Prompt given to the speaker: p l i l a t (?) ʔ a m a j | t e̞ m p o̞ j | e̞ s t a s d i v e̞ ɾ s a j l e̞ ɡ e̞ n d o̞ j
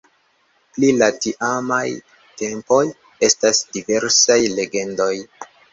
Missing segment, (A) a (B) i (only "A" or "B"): B